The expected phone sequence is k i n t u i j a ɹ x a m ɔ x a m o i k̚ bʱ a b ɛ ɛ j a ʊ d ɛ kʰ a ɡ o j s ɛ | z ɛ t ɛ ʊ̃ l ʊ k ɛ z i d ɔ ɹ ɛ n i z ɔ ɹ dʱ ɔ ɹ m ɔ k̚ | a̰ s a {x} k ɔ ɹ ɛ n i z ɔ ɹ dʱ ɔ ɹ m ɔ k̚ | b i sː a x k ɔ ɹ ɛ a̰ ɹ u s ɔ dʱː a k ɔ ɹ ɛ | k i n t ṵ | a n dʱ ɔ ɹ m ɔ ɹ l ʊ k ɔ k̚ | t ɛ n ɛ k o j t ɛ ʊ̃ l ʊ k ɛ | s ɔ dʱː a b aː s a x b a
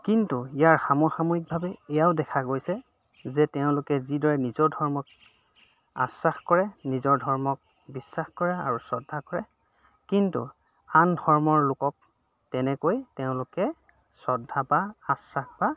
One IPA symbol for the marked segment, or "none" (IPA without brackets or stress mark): x